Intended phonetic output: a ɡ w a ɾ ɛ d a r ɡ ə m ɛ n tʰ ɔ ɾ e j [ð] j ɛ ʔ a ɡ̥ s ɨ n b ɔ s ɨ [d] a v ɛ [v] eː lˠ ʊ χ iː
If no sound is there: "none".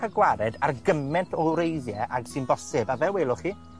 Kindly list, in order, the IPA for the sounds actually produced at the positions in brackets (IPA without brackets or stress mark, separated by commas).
ð, b, w